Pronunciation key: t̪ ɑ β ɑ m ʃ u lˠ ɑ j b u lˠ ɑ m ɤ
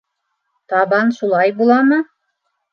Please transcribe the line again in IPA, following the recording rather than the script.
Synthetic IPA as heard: t̪ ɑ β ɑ n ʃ u lˠ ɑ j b u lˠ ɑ m ɤ